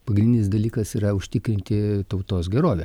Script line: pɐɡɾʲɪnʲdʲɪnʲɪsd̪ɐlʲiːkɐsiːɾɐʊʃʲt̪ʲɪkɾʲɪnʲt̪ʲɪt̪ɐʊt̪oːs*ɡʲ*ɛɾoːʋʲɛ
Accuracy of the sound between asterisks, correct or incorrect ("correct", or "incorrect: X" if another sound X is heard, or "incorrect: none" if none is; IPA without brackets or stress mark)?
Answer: correct